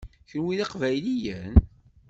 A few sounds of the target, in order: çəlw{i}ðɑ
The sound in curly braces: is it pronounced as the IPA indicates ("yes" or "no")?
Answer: yes